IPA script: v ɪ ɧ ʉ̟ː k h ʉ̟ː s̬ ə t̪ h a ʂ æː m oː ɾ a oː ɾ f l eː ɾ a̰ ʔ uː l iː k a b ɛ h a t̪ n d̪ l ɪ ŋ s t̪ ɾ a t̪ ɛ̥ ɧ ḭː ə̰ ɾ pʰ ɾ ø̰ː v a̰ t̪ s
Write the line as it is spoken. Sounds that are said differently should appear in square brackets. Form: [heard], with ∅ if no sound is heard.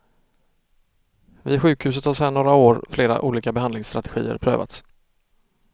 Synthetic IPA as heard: v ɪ ɧ ʉ̟ː k h ʉ̟ː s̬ ə t̪ h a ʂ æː [ɳ] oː ɾ a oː ɾ f l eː ɾ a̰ ʔ uː l iː k a b ɛ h a [∅] n d̪ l ɪ ŋ s t̪ ɾ a t̪ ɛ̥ ɧ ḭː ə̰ ɾ pʰ ɾ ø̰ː v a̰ t̪ s